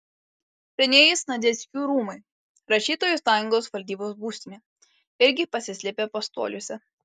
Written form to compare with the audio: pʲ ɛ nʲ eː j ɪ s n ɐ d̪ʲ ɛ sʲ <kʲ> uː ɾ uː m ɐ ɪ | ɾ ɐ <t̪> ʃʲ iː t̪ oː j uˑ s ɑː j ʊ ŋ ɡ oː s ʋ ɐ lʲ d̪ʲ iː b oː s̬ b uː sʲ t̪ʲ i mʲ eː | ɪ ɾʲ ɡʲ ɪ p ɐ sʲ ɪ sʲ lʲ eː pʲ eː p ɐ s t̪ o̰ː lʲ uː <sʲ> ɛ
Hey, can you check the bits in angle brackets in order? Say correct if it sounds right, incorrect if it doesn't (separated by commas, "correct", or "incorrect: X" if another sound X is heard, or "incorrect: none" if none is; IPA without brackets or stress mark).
correct, incorrect: none, correct